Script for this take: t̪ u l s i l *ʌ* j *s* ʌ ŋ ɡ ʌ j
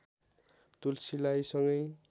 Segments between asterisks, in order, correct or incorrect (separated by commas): incorrect, correct